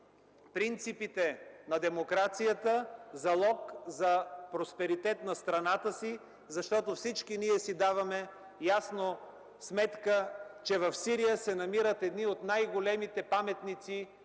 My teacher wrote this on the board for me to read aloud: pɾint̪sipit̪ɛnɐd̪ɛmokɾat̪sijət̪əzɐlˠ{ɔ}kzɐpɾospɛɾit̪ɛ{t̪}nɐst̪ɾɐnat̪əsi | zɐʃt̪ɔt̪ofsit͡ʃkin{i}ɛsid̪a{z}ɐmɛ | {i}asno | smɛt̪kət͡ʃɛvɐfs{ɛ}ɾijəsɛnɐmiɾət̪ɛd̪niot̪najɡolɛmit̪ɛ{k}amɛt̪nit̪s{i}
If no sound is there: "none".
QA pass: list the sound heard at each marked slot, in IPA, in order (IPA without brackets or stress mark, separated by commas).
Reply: ɔ, t̪, i, v, j, i, p, i